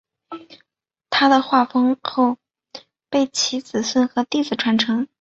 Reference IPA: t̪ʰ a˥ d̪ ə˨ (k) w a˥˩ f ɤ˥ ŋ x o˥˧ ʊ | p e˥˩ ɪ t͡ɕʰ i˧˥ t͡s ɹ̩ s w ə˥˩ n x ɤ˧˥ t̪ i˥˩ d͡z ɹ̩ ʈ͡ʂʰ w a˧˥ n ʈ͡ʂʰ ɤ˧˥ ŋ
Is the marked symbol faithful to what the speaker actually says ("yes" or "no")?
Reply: no